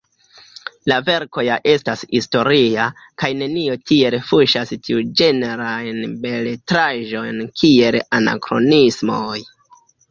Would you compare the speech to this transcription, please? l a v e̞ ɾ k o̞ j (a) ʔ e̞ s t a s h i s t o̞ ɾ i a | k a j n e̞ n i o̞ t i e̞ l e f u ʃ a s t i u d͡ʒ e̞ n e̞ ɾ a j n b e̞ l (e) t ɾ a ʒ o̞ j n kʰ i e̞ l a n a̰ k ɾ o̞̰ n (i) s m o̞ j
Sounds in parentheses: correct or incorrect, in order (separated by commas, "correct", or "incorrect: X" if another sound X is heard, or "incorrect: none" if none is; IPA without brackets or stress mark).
correct, correct, correct